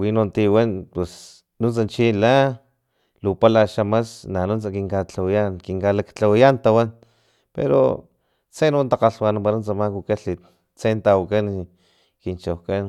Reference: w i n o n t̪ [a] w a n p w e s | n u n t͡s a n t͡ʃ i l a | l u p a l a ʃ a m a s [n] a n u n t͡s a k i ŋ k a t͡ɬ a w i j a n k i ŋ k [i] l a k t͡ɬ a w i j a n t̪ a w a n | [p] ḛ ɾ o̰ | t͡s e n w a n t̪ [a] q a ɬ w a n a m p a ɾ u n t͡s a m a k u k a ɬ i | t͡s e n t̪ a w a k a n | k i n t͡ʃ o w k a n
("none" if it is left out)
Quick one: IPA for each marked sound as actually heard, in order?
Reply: i, n, a, p, a

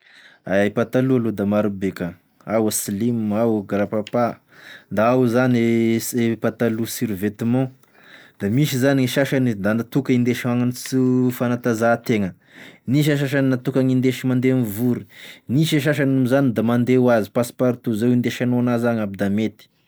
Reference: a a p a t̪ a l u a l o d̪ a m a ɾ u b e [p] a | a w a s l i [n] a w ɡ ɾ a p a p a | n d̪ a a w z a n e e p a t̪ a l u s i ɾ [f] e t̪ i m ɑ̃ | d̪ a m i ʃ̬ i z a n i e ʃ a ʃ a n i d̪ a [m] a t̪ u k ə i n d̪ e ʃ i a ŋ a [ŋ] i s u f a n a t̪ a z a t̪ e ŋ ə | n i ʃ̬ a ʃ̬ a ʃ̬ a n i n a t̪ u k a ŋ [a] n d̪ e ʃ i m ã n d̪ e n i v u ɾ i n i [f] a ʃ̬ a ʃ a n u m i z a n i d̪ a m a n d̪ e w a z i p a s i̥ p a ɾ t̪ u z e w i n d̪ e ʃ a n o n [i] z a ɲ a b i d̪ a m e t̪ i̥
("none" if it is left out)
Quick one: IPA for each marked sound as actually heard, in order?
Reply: k, m, v, n, n, i, ʃ, a

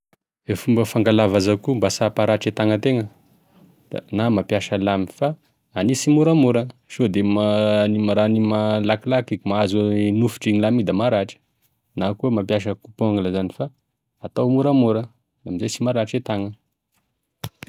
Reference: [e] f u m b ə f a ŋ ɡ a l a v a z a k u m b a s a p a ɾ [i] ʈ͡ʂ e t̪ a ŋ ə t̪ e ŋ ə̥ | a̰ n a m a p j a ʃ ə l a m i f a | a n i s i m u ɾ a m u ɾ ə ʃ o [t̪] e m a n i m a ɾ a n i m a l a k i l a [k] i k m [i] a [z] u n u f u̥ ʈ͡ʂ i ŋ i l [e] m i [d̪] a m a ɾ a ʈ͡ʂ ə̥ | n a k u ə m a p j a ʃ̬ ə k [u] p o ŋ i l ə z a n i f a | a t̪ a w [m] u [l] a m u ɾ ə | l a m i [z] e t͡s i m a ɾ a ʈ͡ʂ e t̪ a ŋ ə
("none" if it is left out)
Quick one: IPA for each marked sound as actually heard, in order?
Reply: e, a, d̪, k, a, z, a, d̪, u, m, ɾ, z

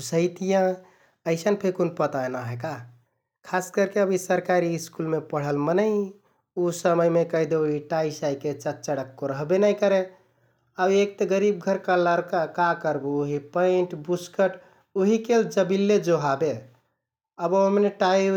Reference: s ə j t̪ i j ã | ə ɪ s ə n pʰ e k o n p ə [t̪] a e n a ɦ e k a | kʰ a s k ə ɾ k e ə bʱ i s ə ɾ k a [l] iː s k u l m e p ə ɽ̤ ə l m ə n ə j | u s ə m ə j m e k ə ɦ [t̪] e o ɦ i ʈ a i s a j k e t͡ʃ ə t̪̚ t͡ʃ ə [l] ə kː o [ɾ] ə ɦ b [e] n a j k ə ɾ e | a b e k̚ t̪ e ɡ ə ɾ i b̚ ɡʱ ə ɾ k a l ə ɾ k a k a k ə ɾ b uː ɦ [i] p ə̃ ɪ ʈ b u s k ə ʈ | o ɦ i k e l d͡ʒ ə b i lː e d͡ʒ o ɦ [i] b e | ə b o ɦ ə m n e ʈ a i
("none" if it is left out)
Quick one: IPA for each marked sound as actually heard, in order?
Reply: t̪, ɾ, d̪, ɽ, ɾ, e, i, a

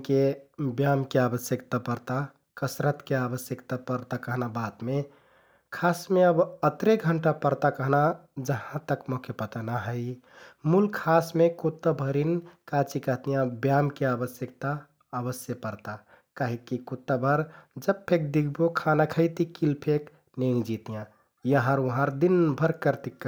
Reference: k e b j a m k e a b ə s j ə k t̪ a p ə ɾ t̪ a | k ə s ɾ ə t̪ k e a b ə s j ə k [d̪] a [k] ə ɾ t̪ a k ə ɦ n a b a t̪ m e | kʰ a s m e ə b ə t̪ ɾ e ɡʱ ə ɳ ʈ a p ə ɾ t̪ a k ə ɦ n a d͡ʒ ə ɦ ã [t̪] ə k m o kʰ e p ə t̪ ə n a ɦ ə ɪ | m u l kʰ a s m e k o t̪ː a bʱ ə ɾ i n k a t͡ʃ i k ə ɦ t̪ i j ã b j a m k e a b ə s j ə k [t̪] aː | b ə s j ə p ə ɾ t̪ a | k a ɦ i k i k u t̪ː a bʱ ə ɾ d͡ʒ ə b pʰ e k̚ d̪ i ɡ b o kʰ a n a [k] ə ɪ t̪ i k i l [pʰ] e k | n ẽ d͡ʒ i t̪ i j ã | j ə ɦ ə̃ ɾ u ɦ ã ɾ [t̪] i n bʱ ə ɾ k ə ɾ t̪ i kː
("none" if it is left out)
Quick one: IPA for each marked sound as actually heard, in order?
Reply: t̪, p, t̪, t̪, kʰ, pʰ, d̪

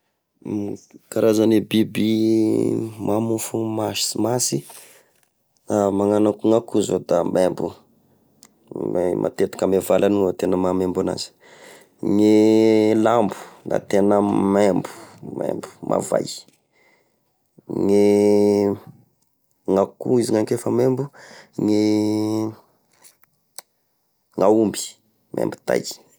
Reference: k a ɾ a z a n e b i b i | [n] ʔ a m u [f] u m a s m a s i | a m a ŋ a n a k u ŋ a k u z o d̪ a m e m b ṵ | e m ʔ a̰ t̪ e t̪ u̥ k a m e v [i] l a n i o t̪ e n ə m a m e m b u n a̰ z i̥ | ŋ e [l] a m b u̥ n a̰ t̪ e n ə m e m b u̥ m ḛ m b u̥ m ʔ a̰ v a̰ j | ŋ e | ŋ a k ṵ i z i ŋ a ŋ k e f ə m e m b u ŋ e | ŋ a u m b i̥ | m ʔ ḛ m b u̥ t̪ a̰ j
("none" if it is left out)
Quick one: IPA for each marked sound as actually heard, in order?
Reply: m, f, a, l

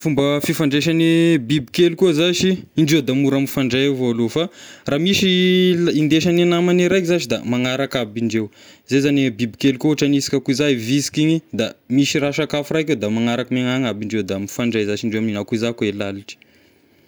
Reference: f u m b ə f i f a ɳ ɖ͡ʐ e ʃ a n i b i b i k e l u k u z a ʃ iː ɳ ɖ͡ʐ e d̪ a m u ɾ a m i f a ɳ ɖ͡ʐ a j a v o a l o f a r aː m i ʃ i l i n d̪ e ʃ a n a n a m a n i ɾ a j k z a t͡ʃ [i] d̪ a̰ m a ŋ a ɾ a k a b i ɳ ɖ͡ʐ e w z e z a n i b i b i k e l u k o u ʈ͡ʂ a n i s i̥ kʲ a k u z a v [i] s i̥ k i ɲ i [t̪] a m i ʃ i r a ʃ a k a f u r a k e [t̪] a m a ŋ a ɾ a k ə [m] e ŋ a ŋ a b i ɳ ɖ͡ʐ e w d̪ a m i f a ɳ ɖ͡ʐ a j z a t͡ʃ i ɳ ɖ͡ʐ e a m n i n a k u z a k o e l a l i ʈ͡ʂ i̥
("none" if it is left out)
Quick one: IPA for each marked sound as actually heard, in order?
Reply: i, i, d̪, d̪, m

